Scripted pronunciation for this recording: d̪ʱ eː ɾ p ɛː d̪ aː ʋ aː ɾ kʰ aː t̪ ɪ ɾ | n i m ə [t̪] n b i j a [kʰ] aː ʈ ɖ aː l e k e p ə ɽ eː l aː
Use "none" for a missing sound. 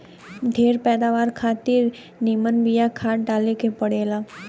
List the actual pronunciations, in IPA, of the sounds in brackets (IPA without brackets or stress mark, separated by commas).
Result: none, kʰ